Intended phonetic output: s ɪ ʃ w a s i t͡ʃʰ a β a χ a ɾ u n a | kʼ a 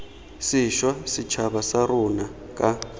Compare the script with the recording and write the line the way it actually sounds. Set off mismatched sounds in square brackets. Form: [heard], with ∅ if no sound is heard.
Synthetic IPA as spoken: s [i] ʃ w a s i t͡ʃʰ a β a [s] a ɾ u n a | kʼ a